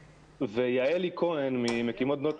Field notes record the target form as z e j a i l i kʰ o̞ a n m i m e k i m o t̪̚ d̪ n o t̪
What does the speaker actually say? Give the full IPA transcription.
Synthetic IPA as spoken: v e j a e l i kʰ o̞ e n m i m e k i m o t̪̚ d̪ n o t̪